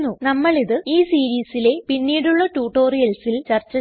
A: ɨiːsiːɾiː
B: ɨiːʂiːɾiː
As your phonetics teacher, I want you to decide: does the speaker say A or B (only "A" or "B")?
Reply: A